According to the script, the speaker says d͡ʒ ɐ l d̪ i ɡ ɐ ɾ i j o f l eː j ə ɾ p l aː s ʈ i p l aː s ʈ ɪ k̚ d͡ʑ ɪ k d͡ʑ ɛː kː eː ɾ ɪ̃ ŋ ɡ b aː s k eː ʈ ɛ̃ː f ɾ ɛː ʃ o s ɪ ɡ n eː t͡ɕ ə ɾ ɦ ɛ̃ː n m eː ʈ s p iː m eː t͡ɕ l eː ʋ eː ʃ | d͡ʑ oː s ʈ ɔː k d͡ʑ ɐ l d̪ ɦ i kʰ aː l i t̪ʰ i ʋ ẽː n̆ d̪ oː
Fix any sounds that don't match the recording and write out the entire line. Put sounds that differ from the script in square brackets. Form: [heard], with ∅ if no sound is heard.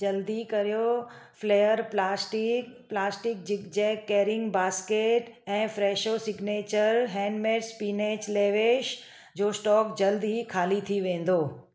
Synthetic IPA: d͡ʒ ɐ l d̪ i [k] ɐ ɾ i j o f l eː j ə ɾ p l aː s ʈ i p l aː s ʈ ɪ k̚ d͡ʑ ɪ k d͡ʑ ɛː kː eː ɾ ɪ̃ ŋ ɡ b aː s k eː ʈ ɛ̃ː f ɾ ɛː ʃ o s ɪ ɡ n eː t͡ɕ ə ɾ ɦ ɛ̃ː n m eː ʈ s p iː [n] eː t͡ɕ l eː ʋ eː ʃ | d͡ʑ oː s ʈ ɔː k d͡ʑ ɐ l d̪ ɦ i kʰ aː l i t̪ʰ i ʋ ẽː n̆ d̪ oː

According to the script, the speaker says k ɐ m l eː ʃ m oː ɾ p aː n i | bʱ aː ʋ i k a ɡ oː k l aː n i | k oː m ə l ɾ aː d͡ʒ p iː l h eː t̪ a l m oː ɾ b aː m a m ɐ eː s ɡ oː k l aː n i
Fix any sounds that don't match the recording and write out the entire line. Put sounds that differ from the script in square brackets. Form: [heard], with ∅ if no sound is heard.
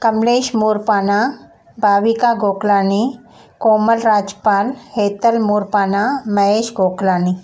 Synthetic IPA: k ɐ m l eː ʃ m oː ɾ p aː n [a] | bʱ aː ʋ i k a ɡ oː k l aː n i | k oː m ə l ɾ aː d͡ʒ p [aː] l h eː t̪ [ə] l m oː ɾ [p] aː [n] a m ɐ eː [ʃ] ɡ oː k l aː n i

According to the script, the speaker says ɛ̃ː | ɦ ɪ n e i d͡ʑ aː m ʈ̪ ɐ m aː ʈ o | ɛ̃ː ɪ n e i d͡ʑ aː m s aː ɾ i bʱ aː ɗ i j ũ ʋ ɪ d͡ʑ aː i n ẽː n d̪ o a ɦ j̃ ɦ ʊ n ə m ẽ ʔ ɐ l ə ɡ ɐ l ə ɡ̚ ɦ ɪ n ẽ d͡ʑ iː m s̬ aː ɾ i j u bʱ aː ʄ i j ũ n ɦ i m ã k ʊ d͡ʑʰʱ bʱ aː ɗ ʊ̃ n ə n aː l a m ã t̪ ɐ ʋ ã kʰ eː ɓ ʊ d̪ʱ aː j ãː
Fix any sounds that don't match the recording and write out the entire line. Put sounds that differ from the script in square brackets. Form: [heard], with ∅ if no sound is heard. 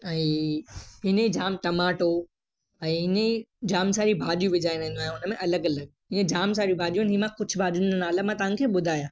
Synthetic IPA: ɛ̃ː | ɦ ɪ n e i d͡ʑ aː m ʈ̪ ɐ m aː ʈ o | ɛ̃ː ɪ n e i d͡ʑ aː m s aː ɾ i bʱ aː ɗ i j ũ ʋ ɪ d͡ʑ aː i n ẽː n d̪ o a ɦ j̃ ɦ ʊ n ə m ẽ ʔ ɐ l ə ɡ ɐ l ə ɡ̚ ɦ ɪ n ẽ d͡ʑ [aː] m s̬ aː ɾ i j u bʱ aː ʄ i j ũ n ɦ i m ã k ʊ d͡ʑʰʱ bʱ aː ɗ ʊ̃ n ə n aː l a m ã t̪ ɐ ʋ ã kʰ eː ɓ ʊ d̪ʱ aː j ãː

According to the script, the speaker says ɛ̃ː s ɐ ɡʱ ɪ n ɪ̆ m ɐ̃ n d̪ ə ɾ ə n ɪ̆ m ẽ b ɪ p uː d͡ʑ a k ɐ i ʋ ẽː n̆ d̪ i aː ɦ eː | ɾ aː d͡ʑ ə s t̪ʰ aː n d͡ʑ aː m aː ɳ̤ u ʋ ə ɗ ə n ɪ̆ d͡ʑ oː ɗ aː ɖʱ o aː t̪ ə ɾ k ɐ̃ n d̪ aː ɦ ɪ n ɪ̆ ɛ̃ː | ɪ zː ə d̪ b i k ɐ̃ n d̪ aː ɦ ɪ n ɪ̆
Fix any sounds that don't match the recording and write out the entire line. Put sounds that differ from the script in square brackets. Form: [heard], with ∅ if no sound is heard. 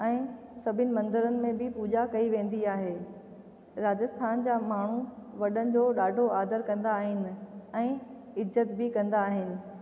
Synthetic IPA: ɛ̃ː s ɐ [bʱ] ɪ n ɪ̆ m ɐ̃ n d̪ ə ɾ ə n ɪ̆ m ẽ b ɪ p uː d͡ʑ a k ɐ i ʋ ẽː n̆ d̪ i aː ɦ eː | ɾ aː d͡ʑ ə s t̪ʰ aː n d͡ʑ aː m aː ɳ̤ u ʋ [ɐ] ɗ ə n ɪ̆ d͡ʑ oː ɗ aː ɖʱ o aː [d̪] ə ɾ k ɐ̃ n d̪ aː ɦ ɪ n ɪ̆ ɛ̃ː | ɪ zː ə [t̪] b [ɪ] k ɐ̃ n d̪ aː ɦ ɪ n ɪ̆

